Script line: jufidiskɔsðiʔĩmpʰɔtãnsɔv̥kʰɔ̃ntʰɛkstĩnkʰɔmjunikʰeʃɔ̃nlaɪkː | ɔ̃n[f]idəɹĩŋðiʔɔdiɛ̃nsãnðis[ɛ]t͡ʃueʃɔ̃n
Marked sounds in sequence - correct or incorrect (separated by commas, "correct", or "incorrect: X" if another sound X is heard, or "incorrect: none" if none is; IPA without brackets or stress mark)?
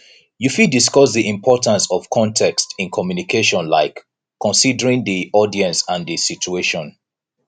incorrect: s, incorrect: i